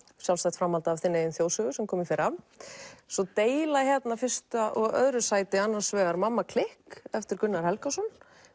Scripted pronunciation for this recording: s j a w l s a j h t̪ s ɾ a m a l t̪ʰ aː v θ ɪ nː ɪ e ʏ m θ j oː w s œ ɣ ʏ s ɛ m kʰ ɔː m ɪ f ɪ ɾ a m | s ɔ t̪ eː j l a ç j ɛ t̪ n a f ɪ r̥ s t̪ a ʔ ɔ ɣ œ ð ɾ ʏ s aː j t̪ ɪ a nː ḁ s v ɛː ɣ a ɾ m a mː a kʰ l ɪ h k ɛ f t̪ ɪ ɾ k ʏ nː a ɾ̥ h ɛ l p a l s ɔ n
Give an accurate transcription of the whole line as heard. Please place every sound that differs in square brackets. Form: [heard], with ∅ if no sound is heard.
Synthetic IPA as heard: s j a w l s a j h t̪ [f] ɾ a m a l [t̪] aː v θ ɪ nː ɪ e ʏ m θ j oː w s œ ɣ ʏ s ɛ m kʰ ɔː m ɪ f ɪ ɾ a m | s ɔ t̪ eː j l a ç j ɛ t̪ n a f ɪ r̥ s t̪ a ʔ ɔ ɣ œ ð ɾ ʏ s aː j t̪ ɪ a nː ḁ s v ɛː ɣ a ɾ m a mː a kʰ l ɪ h k ɛ f t̪ ɪ ɾ k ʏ nː a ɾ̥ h ɛ l [k] a [∅] s ɔ n

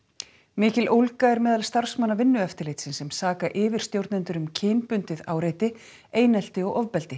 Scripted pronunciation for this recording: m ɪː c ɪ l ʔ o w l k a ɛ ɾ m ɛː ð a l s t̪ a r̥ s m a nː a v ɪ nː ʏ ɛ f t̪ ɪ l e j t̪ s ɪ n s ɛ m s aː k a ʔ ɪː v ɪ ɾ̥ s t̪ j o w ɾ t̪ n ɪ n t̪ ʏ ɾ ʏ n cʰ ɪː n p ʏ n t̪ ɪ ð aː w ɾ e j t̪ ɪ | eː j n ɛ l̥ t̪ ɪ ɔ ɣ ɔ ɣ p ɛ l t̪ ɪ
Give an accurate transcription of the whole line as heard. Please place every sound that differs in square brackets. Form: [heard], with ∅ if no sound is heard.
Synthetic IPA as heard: m ɪː c ɪ l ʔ o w l k a ɛ ɾ m ɛː ð a l s t̪ a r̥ s m a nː a v ɪ nː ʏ ɛ f t̪ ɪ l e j t̪ s ɪ n s ɛ m s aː k a ʔ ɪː v ɪ ɾ̥ s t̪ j o w ɾ t̪ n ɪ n t̪ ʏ ɾ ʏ [m] cʰ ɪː n p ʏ n t̪ ɪ ð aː w ɾ e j t̪ ɪ | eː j n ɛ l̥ t̪ ɪ ɔ ɣ ɔ [v] p ɛ l t̪ ɪ

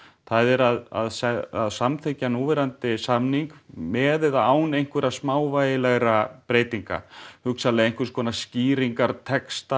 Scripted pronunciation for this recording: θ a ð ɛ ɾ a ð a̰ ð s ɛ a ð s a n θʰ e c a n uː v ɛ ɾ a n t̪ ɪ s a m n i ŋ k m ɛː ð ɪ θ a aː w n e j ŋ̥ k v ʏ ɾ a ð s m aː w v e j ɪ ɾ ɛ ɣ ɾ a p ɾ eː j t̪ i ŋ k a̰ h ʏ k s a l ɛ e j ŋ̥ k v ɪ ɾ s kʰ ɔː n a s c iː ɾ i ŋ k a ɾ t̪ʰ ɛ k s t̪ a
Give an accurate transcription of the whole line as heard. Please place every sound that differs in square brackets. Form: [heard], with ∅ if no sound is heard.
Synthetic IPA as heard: θ a ð ɛ ɾ a ð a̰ ð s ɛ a ð s a [m] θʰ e c a n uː v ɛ ɾ a n t̪ ɪ s a m n i ŋ k m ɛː ð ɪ [ð] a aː w n e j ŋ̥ k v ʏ ɾ a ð s m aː w v [a] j ɪ [l] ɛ ɣ ɾ a p ɾ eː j t̪ i ŋ k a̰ h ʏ k s a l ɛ e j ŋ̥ k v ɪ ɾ s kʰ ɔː n a s c iː ɾ i ŋ k a ɾ t̪ʰ ɛ k s t̪ a

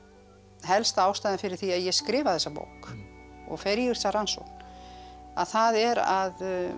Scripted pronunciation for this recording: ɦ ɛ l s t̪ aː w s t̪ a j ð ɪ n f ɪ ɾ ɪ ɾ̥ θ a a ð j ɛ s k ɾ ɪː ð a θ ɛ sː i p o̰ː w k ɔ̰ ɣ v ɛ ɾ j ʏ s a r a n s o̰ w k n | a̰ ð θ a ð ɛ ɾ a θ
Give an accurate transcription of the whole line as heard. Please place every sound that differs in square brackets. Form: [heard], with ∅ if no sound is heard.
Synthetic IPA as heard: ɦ ɛ l s t̪ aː w s t̪ a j ð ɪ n f ɪ ɾ ɪ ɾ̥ θ [i] a ð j ɛ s k ɾ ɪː [v] a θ ɛ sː [a] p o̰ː w k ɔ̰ ɣ [f] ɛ ɾ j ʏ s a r a n s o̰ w k n | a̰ ð θ a ð ɛ ɾ a [ð]

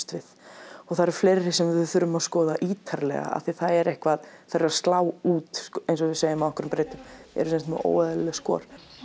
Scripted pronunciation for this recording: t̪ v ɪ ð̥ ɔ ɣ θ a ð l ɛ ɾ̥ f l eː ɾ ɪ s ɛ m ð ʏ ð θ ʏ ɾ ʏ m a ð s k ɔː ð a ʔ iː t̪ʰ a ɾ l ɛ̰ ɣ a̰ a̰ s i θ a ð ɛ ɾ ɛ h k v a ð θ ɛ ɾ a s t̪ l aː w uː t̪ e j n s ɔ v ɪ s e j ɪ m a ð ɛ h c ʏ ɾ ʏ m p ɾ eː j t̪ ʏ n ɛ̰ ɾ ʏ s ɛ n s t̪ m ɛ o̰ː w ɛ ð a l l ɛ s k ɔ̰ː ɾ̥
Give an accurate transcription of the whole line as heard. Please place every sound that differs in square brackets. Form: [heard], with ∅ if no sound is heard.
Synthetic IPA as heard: t̪ v ɪ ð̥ ɔ ɣ θ a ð [ɾ] ɛ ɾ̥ f l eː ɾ ɪ s ɛ m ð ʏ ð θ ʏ ɾ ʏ m a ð s k ɔː ð a ʔ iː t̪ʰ a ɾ l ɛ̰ ɣ a̰ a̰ [θ] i θ a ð ɛ ɾ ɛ h k v a ð θ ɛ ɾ a s t̪ l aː w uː t̪ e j n s ɔ v ɪ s e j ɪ m a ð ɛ h [k] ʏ ɾ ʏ m p ɾ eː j t̪ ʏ [m] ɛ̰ ɾ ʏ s ɛ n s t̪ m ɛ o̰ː w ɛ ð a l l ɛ s k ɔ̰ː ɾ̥

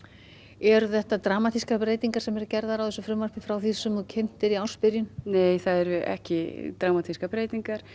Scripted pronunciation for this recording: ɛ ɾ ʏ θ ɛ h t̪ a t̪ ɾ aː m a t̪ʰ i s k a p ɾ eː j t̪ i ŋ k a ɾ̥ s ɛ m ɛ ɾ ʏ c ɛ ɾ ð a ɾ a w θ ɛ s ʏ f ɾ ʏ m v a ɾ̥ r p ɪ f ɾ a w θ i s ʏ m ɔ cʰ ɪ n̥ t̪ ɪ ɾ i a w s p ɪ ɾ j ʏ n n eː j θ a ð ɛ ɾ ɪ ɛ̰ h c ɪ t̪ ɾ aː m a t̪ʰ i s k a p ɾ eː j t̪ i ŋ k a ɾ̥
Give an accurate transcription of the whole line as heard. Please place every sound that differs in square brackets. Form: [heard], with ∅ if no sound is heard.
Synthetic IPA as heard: ɛ ɾ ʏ θ ɛ h t̪ a t̪ ɾ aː m a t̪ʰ i s k a p ɾ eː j t̪ i ŋ k a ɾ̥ s ɛ m ɛ ɾ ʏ c ɛ ɾ ð a ɾ a w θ ɛ s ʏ f ɾ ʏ m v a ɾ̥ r p ɪ f ɾ a w θ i s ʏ m ɔ cʰ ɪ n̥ t̪ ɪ ɾ i a w s p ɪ ɾ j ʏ n n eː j θ a ð ɛ ɾ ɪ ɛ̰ h c ɪ t̪ ɾ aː m a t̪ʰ i s k a p ɾ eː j t̪ i ŋ k a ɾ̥

